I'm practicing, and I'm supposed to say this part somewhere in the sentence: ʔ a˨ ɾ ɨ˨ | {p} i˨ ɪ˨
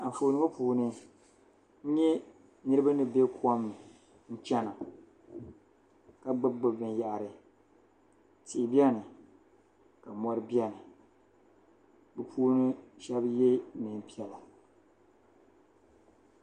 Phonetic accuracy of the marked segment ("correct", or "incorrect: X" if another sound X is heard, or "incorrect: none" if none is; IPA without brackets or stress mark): incorrect: t